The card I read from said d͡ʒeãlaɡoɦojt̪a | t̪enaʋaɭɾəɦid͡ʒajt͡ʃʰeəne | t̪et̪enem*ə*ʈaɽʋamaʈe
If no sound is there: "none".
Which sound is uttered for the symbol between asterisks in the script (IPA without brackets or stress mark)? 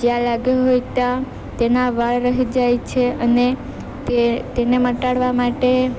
ə